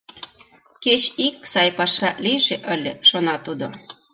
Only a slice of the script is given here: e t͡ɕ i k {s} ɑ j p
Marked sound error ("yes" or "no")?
no